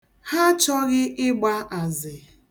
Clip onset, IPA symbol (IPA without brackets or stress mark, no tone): h